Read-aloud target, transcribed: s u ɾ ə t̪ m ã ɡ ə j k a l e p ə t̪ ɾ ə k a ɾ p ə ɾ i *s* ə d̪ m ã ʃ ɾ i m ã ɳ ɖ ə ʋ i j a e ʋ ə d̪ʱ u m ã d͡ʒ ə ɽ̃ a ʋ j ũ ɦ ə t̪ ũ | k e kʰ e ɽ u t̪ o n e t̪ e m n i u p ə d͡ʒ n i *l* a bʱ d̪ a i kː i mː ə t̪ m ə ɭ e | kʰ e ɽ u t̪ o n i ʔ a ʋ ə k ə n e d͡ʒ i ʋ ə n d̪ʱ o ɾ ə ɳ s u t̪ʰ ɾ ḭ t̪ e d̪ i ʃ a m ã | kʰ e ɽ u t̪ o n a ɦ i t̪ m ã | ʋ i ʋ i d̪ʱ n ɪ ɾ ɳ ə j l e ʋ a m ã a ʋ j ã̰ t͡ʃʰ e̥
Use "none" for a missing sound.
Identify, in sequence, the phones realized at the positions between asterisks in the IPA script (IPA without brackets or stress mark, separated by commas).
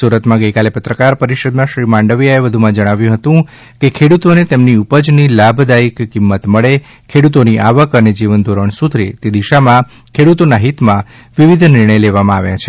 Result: ʃ, l